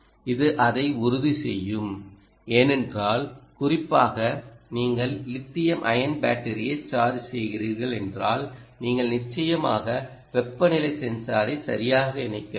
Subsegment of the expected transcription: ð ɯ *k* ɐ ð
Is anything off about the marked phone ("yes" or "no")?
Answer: yes